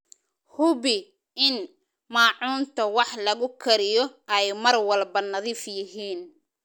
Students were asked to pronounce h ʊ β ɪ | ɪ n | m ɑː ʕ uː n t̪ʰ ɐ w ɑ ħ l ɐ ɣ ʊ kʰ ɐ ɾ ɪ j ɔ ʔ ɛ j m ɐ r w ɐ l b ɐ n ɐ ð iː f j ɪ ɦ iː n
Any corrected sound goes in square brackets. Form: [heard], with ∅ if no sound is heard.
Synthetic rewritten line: h ʊ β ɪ | ɪ n | m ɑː ʕ uː n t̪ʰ ɐ w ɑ ħ l ɐ ɣ ʊ kʰ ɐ ɾ ɪ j ɔ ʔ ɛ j m ɐ r w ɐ l b ɐ n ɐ ð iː f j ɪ ɦ iː n

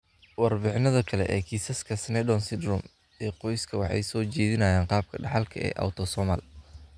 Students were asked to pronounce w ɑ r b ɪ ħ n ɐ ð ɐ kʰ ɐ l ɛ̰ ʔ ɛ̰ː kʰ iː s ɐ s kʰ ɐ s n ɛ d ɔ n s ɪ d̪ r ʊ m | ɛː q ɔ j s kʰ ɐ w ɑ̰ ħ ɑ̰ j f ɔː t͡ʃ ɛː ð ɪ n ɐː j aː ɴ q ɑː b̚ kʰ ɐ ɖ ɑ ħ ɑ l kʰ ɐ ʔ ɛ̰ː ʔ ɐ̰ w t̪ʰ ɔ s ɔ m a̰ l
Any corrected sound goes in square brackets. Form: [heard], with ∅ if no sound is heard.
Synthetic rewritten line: w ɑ r b ɪ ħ n ɐ ð ɐ kʰ ɐ l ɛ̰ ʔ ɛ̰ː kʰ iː s ɐ s kʰ ɐ s n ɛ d ɔ n s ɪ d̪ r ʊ m | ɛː q ɔ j s kʰ ɐ w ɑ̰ ħ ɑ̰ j [s] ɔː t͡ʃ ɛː ð ɪ n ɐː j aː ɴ q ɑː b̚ kʰ ɐ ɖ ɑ ħ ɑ l kʰ ɐ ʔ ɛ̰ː ʔ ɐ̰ w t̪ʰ ɔ s ɔ m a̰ l

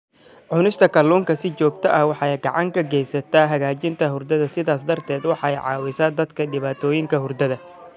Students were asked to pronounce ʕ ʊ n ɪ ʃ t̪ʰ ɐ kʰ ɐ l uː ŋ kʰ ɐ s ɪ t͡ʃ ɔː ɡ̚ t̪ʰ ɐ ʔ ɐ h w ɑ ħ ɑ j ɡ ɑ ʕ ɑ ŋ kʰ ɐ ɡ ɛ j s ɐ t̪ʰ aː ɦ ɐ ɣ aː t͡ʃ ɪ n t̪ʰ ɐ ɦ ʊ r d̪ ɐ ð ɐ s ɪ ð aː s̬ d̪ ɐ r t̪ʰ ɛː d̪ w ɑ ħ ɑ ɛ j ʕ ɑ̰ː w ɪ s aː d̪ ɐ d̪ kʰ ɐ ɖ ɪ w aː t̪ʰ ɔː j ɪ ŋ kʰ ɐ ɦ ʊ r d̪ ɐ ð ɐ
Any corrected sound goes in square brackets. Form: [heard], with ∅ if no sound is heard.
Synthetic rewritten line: ʕ ʊ n ɪ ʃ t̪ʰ ɐ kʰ ɐ l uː ŋ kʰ ɐ s ɪ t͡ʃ ɔː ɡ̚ t̪ʰ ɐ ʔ ɐ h w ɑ ħ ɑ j ɡ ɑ ʕ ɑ ŋ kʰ ɐ ɡ ɛ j s ɐ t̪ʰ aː ɦ ɐ ɣ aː t͡ʃ ɪ n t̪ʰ ɐ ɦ ʊ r d̪ ɐ ð ɐ s ɪ ð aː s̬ d̪ ɐ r t̪ʰ ɛː d̪ w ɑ ħ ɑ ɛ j ʕ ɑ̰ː w ɪ s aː d̪ ɐ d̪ kʰ ɐ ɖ ɪ [β] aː t̪ʰ ɔː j ɪ ŋ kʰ ɐ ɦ ʊ r d̪ ɐ ð ɐ

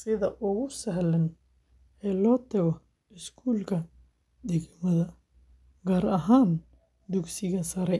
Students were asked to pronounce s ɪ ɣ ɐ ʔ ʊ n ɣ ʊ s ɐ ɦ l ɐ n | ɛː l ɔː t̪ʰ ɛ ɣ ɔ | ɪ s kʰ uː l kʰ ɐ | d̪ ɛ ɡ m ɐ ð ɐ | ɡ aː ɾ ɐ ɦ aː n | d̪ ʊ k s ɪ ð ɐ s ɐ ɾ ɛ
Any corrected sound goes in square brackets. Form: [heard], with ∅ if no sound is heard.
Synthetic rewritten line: s ɪ [ð] ɐ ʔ ʊ [∅] ɣ ʊ s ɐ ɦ l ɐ n | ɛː l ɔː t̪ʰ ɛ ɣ ɔ | ɪ s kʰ uː l kʰ ɐ | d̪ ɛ ɡ m ɐ ð ɐ | ɡ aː ɾ ɐ ɦ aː n | d̪ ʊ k s ɪ [ɣ] ɐ s ɐ ɾ ɛ

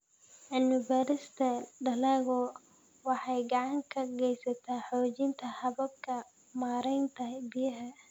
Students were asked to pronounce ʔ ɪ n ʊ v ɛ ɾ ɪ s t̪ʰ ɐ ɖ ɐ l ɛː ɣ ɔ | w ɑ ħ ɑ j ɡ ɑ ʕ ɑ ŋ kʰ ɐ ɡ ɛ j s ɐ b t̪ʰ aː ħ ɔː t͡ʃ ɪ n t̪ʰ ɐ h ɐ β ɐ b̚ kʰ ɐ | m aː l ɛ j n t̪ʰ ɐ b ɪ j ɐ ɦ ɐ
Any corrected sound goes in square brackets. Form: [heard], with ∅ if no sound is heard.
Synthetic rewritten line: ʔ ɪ n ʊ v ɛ ɾ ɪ s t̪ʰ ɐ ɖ ɐ l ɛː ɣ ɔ | w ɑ ħ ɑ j ɡ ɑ ʕ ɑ ŋ kʰ ɐ ɡ ɛ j s ɐ [∅] t̪ʰ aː ħ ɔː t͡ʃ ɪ n t̪ʰ ɐ h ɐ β ɐ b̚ kʰ ɐ | m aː [ɾ] ɛ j n t̪ʰ ɐ b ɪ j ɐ ɦ ɐ

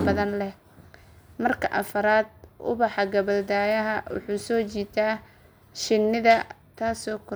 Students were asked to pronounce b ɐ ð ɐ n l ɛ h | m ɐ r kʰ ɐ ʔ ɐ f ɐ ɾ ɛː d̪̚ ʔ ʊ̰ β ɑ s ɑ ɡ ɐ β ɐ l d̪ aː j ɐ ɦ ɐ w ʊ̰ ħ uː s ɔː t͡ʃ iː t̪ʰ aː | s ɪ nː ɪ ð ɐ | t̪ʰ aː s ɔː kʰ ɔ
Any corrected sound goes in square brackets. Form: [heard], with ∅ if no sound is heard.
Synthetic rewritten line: b ɐ ð ɐ n l ɛ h | m ɐ r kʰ ɐ ʔ ɐ f ɐ ɾ [aː] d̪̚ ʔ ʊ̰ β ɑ [ħ] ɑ ɡ ɐ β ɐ l d̪ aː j ɐ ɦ ɐ w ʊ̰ ħ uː s ɔː t͡ʃ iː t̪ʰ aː | [ʃ] ɪ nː ɪ ð ɐ | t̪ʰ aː s ɔː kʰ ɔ

